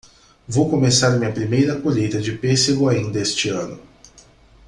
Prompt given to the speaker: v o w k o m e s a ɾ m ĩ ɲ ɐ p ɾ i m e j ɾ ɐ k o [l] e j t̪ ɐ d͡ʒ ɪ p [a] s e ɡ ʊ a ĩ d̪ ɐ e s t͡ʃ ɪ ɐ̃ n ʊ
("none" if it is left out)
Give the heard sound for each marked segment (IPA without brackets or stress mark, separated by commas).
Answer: ʎ, e